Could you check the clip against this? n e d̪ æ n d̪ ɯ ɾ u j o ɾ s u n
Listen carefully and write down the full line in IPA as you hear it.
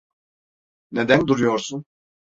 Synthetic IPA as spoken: n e d̪ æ n d̪ u ɾ u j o ɾ s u n